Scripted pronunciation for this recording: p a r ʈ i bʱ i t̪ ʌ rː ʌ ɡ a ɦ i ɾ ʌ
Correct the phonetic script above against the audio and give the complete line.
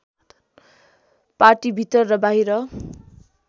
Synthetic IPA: p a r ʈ i bʱ i t̪ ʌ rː ʌ b a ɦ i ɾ ʌ